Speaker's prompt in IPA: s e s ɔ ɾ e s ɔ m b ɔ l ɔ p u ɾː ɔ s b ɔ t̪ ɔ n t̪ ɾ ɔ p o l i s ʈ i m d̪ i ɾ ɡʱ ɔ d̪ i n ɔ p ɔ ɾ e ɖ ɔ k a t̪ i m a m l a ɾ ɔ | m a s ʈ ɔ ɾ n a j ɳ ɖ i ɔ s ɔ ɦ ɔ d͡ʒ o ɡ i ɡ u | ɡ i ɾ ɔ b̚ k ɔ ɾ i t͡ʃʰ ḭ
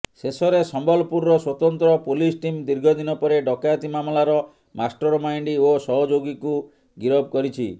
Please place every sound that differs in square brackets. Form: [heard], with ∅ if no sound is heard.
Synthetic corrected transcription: s e s ɔ ɾ e s ɔ m b ɔ l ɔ p u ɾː ɔ s [w] ɔ t̪ ɔ n t̪ ɾ ɔ p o l i s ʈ i m d̪ i ɾ ɡʱ ɔ d̪ i n ɔ p ɔ ɾ e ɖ ɔ k a t̪ i m a m l a ɾ ɔ | m a s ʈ ɔ ɾ [m] a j ɳ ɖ i [o] s ɔ ɦ ɔ d͡ʒ o ɡ i [k] u | ɡ i ɾ ɔ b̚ k ɔ ɾ i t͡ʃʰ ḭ